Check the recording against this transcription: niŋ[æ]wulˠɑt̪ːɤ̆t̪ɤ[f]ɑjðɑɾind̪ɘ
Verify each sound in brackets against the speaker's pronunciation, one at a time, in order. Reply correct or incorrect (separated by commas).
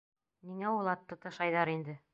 correct, incorrect